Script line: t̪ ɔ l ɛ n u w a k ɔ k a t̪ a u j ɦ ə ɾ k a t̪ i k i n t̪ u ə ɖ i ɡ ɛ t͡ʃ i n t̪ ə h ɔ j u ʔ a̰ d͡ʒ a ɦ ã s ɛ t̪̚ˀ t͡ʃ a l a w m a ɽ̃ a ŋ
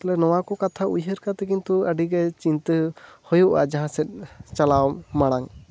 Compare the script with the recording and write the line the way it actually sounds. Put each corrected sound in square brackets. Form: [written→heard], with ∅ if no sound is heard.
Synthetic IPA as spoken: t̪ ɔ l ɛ n [u→ɔ] w a k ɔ k a [t̪→t̪ʰ] a u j ɦ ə ɾ k a t̪ [i→ɛ] k i n t̪ u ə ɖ i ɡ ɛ t͡ʃ i n t̪ ə h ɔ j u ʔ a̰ d͡ʒ a ɦ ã s ɛ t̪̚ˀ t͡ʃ a l a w m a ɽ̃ a ŋ